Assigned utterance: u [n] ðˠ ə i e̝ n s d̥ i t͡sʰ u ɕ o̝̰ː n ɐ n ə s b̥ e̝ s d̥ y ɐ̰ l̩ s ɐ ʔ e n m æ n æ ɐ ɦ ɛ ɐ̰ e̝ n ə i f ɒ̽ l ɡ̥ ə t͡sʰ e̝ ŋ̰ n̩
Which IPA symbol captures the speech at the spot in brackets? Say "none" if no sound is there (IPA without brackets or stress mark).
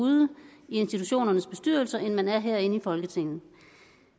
none